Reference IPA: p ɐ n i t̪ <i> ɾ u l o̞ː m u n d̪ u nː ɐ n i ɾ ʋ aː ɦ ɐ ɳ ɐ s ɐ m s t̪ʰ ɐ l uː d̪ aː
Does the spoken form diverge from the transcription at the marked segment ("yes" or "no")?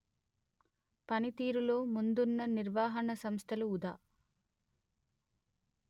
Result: yes